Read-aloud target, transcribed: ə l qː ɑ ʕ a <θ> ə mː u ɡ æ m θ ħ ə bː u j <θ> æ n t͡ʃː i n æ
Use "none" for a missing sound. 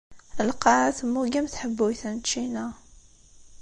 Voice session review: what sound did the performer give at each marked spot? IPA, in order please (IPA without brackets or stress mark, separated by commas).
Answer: θ, θ